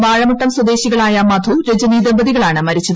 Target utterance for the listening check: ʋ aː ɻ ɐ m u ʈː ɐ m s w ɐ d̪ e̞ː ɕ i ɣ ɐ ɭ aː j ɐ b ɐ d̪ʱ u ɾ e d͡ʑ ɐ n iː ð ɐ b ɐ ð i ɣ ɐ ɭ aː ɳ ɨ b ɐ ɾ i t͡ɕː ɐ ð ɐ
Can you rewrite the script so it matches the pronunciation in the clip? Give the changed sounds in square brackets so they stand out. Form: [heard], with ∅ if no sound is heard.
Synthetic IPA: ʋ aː ɻ ɐ m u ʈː ɐ m s w ɐ d̪ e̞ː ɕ i ɣ ɐ ɭ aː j ɐ [m] ɐ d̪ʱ u ɾ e d͡ʑ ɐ n iː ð ɐ b ɐ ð i ɣ ɐ ɭ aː ɳ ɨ [m] ɐ ɾ i t͡ɕː ɐ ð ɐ